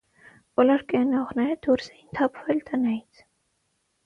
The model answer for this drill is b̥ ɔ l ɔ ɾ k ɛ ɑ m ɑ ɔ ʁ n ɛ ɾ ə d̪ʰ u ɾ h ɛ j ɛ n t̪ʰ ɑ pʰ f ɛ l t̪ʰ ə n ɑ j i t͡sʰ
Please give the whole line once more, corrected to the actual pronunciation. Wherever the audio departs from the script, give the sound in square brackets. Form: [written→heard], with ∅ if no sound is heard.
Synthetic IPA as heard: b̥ ɔ l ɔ ɾ k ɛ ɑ [m→n] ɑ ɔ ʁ n ɛ ɾ ə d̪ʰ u ɾ [h→s] ɛ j [ɛ→i] n t̪ʰ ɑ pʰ [f→v] ɛ l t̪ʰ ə n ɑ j i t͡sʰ